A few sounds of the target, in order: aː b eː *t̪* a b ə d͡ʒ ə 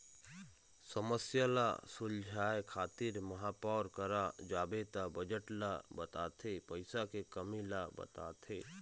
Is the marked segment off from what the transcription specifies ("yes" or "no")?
no